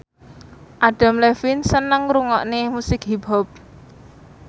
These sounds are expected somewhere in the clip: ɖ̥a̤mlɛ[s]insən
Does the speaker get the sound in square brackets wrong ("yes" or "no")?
yes